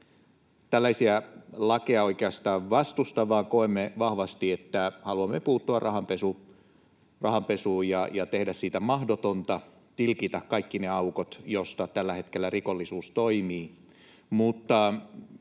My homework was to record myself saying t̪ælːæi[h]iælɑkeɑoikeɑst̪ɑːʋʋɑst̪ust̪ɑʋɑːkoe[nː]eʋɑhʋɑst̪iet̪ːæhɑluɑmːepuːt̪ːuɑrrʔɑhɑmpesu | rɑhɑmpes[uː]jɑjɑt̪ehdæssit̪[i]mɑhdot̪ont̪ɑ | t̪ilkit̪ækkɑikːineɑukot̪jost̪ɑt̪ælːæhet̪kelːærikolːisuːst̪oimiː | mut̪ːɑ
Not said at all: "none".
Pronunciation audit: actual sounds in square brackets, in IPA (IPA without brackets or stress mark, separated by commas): s, mː, uː, æ